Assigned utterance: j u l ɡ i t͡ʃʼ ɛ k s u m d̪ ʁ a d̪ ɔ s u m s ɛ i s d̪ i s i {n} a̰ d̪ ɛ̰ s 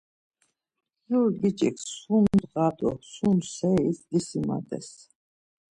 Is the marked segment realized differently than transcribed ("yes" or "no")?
yes